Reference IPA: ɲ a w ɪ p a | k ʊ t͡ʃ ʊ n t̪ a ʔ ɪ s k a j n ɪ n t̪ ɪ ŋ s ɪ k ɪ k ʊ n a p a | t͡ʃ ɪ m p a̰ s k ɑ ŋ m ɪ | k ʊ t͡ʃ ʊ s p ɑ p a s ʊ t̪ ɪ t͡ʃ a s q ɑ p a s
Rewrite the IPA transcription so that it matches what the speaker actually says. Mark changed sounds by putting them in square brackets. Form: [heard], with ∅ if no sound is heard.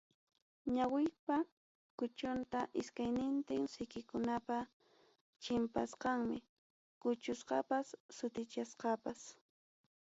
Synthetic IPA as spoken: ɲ a w ɪ p a | k ʊ t͡ʃ ʊ n t̪ a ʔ ɪ s k a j n ɪ n t̪ ɪ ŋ s ɪ k ɪ k ʊ n a p a | t͡ʃ ɪ m p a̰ s [q] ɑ ŋ m ɪ | k ʊ t͡ʃ ʊ s [q] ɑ p a [sː] ʊ t̪ ɪ t͡ʃ a s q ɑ p a s